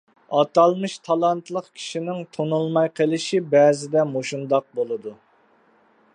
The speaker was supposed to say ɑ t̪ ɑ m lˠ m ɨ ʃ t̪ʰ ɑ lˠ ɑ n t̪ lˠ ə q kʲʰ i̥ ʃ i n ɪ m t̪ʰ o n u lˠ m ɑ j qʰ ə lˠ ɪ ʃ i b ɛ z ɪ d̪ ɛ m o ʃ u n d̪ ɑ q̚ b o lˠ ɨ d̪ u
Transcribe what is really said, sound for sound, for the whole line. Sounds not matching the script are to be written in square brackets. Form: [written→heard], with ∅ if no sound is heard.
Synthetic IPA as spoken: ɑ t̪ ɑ [m→∅] lˠ m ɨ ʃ t̪ʰ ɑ lˠ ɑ n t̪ lˠ ə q kʲʰ i̥ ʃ i n ɪ [m→ŋ] t̪ʰ o n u lˠ m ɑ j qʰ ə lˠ ɪ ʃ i b ɛ z ɪ d̪ ɛ m o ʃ u n d̪ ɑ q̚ b o lˠ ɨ d̪ u

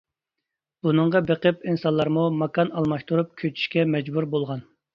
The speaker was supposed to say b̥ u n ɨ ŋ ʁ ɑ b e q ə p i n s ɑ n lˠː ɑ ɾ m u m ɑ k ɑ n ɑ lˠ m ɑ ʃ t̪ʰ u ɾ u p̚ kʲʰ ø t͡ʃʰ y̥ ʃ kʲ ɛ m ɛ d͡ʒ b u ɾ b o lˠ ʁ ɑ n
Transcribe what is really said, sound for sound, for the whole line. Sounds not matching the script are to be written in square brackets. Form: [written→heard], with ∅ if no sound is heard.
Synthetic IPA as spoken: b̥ u n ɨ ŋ ʁ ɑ b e q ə p i n s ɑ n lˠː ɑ ɾ m u m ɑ k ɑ n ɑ lˠ m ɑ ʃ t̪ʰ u ɾ u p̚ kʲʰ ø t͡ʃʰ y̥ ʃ kʲ ɛ m ɛ d͡ʒ b u ɾ b o lˠ ʁ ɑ n

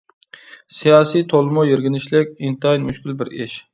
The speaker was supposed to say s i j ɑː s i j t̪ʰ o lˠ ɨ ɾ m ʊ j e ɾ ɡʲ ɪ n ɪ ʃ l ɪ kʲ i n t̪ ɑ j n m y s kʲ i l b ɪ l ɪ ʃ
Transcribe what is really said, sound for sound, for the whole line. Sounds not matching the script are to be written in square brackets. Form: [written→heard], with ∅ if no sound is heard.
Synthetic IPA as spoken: s i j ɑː s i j t̪ʰ o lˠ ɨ [ɾ→∅] m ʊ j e ɾ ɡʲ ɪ n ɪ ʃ l ɪ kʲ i n t̪ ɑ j n m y [s→ʃ] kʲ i l b ɪ [l→ɾ] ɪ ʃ

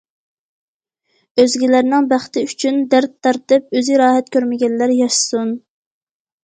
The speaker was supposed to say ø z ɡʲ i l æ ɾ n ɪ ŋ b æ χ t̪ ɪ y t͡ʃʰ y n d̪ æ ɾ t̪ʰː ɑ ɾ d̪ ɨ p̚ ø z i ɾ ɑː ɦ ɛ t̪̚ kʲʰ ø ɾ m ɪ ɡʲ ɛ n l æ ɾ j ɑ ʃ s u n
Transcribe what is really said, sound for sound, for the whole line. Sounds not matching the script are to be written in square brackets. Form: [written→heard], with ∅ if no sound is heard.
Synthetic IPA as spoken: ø z ɡʲ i l æ ɾ n ɪ ŋ b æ χ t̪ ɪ y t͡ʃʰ y n d̪ æ ɾ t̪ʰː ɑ ɾ [d̪→t̪] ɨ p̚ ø z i ɾ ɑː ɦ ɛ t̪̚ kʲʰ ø ɾ m ɪ ɡʲ ɛ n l æ ɾ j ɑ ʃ s u n

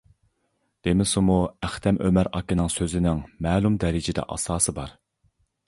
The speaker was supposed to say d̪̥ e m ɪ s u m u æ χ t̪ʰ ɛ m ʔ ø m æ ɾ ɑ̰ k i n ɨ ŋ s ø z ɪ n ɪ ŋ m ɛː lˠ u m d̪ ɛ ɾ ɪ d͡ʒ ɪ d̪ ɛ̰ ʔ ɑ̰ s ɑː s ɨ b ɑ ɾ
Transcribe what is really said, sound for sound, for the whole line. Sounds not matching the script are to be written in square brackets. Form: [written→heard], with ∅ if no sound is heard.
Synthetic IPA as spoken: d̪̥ e m ɪ s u m u æ χ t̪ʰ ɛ m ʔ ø m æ ɾ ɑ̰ k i n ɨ ŋ s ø z ɪ n ɪ ŋ m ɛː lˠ u m d̪ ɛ ɾ ɪ d͡ʒ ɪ d̪ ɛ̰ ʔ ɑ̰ s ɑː s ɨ b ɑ ɾ

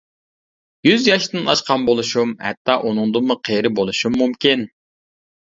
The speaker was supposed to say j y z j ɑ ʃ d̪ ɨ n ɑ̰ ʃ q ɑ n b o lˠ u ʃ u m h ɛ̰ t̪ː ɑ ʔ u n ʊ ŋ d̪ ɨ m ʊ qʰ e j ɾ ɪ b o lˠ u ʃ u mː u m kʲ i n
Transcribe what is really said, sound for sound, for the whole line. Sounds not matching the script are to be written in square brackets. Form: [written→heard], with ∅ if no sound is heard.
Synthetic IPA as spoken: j y z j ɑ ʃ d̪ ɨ n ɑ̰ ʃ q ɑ n b o lˠ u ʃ u m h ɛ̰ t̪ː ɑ ʔ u n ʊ ŋ d̪ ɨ m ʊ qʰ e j ɾ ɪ b o lˠ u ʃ u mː u m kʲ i n

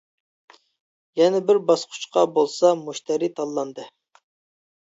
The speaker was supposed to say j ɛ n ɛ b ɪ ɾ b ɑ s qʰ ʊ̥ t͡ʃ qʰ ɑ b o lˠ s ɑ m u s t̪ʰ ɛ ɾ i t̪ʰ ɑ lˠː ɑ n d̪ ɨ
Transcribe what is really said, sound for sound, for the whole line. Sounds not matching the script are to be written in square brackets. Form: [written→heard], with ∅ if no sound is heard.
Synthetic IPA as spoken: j ɛ n ɛ b ɪ ɾ b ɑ s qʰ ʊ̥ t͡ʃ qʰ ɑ b o lˠ s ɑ m u [s→ʃ] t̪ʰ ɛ ɾ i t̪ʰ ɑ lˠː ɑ n d̪ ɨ

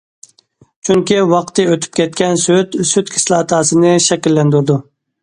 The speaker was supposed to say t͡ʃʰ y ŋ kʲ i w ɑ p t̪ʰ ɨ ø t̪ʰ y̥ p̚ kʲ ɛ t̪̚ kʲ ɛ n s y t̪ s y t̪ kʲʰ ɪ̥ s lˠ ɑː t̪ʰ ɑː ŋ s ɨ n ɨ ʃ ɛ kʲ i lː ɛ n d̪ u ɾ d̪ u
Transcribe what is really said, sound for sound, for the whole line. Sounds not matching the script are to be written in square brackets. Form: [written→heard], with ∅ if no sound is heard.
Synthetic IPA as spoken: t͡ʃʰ y ŋ kʲ i w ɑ [p→q] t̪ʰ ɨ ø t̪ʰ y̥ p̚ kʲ ɛ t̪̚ kʲ ɛ n s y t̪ s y t̪ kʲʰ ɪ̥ s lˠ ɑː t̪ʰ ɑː [ŋ→∅] s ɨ n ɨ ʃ ɛ kʲ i lː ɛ n d̪ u ɾ d̪ u

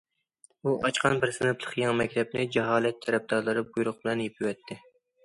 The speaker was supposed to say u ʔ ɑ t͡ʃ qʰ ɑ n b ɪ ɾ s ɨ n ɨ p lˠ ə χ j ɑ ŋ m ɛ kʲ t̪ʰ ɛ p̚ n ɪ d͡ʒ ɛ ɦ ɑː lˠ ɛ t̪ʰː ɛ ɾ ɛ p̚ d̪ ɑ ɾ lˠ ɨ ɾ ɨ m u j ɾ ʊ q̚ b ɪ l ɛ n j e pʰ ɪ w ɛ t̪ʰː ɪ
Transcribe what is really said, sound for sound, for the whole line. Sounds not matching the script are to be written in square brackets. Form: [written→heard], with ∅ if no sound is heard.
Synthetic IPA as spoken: u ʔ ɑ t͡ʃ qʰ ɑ n b ɪ ɾ s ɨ n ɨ p lˠ ə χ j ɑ ŋ m ɛ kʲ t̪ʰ ɛ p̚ n ɪ d͡ʒ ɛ ɦ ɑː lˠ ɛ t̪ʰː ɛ ɾ ɛ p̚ d̪ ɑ ɾ lˠ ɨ ɾ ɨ [m→b] u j ɾ ʊ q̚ b ɪ l ɛ n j e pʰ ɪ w ɛ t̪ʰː ɪ

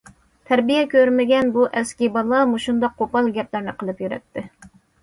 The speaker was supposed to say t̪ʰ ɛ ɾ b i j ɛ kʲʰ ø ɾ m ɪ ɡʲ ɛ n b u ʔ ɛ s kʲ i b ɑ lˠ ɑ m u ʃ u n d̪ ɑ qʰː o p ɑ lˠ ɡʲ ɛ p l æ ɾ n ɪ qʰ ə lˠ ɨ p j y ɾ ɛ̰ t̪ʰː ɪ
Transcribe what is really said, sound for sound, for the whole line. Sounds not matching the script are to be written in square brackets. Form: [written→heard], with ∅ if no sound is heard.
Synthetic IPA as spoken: t̪ʰ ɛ ɾ b i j ɛ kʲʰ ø ɾ m ɪ ɡʲ ɛ n b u ʔ ɛ s kʲ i b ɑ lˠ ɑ m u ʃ u n d̪ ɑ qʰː o p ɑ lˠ ɡʲ ɛ p l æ ɾ n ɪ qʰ ə lˠ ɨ p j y ɾ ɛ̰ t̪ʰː ɪ

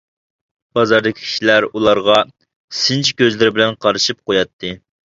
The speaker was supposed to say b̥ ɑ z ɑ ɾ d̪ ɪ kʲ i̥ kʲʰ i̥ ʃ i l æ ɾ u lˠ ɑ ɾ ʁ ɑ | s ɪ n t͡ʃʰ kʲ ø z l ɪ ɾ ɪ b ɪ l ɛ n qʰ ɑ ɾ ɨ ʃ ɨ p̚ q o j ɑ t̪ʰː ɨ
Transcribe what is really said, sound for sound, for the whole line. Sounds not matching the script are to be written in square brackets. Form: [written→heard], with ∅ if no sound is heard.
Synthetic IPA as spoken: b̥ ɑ z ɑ ɾ d̪ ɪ kʲ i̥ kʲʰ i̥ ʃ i l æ ɾ u lˠ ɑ ɾ ʁ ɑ | s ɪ n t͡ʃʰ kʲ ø z l ɪ ɾ ɪ b ɪ l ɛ n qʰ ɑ ɾ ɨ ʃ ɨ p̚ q o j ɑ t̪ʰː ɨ

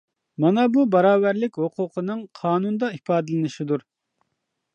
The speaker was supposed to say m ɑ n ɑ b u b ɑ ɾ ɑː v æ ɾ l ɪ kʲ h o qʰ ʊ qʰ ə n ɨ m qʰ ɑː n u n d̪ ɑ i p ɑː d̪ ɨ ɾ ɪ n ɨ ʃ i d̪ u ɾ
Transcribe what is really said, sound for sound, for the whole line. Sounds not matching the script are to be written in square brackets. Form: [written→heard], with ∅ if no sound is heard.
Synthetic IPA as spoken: m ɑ n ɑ b u b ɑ ɾ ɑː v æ ɾ l ɪ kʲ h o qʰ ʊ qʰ ə n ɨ [m→ŋ] qʰ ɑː n u n d̪ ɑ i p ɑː d̪ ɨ [ɾ→l] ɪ n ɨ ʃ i d̪ u ɾ

